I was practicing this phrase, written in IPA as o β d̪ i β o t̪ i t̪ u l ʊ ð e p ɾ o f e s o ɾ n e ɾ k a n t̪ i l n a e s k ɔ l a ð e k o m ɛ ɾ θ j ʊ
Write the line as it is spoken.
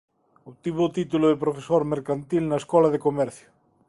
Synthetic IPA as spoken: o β t̪ i β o t̪ i t̪ u l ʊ ð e p ɾ o f e s o ɾ m e ɾ k a n t̪ i l n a e s k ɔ l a ð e k o m ɛ ɾ θ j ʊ